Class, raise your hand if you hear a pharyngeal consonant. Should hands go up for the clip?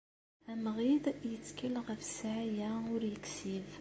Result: yes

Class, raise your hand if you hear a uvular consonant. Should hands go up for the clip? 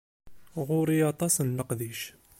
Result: yes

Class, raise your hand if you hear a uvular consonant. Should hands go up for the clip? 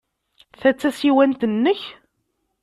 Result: no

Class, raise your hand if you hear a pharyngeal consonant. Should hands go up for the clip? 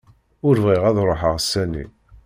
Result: yes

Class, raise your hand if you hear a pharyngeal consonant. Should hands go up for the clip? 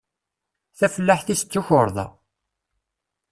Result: yes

